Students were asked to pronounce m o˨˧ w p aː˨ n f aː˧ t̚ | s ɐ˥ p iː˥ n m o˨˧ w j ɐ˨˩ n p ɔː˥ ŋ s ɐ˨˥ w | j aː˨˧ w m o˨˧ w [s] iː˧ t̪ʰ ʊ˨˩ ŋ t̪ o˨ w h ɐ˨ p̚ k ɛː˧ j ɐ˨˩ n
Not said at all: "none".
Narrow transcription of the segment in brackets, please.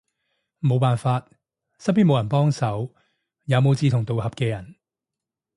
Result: t͡s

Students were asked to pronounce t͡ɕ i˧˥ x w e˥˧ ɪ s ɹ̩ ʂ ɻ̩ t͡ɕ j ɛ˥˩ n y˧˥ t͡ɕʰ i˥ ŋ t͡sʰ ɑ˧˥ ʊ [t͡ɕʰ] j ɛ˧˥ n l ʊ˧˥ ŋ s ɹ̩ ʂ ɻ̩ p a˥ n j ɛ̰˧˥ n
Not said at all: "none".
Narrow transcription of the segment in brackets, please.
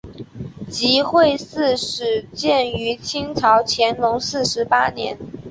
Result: t͡ɕʰ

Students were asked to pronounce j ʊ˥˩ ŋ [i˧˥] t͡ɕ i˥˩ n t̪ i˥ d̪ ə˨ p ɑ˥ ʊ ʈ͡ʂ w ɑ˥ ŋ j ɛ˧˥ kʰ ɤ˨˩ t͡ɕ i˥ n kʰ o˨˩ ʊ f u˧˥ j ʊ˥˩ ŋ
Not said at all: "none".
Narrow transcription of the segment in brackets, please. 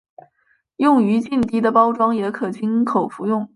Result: y˧˥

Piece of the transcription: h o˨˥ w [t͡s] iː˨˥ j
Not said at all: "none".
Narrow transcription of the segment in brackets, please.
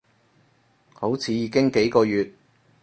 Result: t͡sʰ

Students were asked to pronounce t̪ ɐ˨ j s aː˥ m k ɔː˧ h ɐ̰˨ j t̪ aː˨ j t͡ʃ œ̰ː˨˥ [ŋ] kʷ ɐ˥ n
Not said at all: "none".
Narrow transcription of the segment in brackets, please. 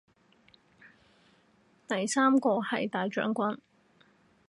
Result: ŋ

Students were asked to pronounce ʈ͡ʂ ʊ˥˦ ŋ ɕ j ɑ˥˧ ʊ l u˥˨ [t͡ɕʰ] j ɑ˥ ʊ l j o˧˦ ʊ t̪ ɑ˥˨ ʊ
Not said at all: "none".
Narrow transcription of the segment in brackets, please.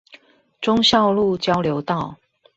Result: t͡ɕ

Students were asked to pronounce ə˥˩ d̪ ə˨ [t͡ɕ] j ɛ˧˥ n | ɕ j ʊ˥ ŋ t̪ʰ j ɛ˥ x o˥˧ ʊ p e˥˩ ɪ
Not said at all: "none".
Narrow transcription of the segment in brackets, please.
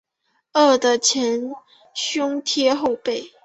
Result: t͡ɕʰ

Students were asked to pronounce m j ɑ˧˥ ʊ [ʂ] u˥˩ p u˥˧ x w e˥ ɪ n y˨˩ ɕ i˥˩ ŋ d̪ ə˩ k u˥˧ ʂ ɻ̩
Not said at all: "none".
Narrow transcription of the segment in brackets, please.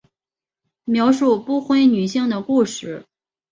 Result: ʂ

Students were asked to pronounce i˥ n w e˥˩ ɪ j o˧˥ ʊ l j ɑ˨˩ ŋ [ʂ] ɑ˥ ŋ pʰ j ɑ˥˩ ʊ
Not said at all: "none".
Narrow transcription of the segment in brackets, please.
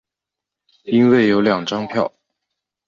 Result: ʈ͡ʂ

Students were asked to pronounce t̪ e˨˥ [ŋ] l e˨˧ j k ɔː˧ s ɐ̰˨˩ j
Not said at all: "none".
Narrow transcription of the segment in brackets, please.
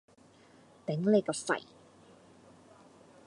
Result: ŋ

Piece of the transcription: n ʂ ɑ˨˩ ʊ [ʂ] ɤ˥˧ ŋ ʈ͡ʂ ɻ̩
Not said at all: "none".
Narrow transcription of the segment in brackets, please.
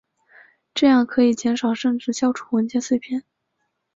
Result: ʂ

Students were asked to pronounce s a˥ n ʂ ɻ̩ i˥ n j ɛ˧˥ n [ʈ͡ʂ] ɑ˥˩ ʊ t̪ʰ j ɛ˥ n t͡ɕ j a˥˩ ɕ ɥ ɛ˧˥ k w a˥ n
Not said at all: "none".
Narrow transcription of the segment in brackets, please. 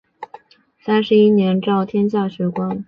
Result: ʈ͡ʂ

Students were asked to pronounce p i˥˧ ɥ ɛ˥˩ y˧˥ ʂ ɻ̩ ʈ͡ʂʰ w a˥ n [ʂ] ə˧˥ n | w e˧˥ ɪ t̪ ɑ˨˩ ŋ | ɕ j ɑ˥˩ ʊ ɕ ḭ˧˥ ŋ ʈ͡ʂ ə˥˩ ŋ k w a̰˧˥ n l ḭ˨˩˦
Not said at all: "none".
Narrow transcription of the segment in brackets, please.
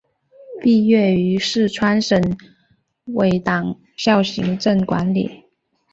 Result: ʂ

